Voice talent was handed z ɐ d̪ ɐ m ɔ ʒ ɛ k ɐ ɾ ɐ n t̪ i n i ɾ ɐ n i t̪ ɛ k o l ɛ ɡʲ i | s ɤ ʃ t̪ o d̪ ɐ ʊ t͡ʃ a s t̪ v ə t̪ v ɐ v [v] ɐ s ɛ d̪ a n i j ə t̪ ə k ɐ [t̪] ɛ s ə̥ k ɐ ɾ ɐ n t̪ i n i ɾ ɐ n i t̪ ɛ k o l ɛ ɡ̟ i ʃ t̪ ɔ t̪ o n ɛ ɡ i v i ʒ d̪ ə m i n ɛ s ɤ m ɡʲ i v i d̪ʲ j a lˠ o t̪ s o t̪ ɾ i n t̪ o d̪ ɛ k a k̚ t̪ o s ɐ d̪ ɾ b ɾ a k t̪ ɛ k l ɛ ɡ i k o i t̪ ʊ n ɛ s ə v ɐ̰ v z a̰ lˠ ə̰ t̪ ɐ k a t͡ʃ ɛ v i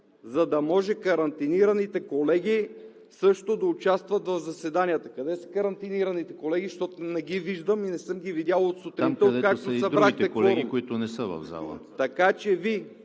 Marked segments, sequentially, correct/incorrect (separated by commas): incorrect, incorrect